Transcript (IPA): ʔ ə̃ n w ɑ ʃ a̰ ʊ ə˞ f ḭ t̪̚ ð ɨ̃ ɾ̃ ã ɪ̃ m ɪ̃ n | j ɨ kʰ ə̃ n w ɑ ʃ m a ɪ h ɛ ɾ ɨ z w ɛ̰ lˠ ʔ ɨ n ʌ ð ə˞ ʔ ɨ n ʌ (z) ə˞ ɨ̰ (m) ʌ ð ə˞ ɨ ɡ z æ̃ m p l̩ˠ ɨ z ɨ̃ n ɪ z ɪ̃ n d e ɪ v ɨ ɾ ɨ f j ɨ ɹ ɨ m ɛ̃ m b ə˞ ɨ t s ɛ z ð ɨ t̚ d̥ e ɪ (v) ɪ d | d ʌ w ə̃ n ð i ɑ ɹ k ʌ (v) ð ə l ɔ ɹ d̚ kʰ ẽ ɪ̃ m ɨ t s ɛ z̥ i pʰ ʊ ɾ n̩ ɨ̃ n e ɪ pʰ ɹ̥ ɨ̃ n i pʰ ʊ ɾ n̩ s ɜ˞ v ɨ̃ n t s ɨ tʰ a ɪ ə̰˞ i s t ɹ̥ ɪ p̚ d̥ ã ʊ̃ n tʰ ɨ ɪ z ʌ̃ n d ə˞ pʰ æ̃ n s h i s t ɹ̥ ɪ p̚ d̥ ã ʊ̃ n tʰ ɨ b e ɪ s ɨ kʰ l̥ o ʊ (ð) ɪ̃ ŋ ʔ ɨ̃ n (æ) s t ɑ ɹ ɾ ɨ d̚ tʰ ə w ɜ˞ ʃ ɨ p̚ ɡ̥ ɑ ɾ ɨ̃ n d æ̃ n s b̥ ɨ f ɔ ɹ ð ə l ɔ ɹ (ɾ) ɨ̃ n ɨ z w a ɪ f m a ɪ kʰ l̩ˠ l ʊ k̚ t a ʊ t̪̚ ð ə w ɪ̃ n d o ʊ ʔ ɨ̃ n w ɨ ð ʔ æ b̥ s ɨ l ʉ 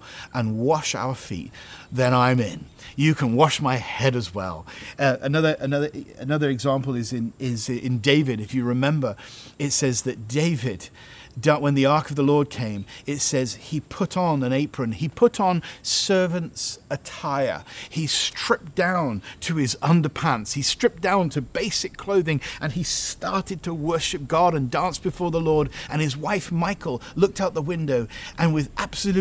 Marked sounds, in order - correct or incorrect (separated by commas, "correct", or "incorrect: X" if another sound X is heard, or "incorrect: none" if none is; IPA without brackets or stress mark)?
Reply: incorrect: ð, incorrect: n, correct, correct, correct, incorrect: i, correct